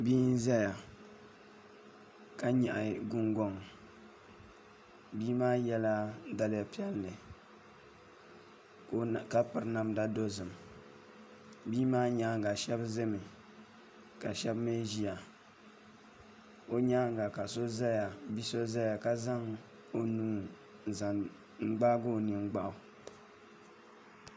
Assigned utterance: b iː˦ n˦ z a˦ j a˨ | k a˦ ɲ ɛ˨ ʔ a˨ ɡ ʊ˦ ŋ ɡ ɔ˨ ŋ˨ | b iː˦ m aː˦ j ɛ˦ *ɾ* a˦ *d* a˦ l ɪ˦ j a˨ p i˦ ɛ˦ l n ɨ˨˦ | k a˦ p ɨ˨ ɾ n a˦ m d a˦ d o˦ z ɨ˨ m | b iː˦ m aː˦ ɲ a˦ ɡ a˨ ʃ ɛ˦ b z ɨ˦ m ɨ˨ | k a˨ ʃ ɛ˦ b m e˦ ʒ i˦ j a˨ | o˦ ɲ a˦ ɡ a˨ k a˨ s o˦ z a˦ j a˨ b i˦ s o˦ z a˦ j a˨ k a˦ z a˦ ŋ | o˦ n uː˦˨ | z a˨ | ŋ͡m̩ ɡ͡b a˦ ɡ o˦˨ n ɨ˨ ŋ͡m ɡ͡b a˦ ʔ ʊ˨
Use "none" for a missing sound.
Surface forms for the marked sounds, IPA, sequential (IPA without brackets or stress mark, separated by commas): l, d